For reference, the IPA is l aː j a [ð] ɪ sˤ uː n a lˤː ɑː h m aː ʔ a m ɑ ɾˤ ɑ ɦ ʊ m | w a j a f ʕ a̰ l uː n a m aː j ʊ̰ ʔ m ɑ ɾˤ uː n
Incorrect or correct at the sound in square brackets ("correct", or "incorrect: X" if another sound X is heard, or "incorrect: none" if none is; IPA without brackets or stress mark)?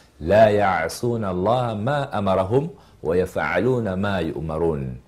incorrect: ʕ